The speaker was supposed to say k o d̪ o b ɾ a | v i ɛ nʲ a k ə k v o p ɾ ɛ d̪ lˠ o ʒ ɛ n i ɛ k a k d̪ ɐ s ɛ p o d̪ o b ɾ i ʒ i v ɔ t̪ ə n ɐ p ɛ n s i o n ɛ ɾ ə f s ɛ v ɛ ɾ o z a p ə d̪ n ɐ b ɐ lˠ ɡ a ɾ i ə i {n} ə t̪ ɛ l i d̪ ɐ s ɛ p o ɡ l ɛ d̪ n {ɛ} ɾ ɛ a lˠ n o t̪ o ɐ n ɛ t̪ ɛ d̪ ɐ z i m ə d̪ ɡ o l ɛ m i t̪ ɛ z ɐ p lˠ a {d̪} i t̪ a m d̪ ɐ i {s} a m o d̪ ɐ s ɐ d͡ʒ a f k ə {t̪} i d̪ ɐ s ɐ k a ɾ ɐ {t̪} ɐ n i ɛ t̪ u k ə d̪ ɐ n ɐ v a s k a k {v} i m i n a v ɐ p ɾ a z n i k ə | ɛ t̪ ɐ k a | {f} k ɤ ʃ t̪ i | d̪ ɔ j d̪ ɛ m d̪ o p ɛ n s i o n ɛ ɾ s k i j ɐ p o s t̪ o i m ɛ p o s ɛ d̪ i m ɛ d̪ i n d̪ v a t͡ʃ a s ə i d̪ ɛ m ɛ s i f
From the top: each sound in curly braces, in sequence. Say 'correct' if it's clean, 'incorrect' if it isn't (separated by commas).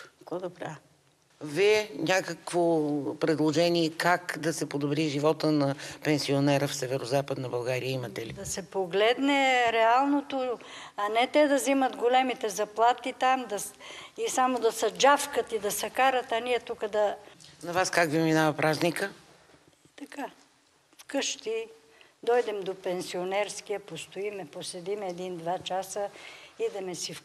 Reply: incorrect, correct, incorrect, correct, correct, correct, correct, correct